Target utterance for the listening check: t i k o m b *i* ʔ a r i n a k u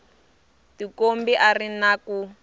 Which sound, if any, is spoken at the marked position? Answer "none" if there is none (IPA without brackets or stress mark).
i